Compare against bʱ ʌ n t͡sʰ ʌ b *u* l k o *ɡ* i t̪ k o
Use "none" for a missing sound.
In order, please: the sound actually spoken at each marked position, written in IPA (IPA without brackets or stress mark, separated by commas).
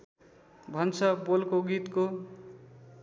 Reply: o, ɡ